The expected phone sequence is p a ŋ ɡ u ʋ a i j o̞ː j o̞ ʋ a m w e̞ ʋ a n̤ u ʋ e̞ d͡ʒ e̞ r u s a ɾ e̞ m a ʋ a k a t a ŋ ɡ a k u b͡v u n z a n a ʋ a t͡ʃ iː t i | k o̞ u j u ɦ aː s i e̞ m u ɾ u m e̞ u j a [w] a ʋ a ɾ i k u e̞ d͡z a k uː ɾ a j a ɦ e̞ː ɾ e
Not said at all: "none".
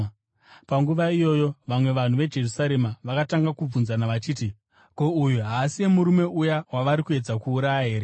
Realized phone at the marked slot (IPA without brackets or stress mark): w